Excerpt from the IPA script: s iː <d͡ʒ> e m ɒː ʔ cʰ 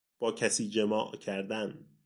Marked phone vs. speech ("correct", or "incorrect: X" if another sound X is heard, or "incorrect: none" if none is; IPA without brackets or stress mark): correct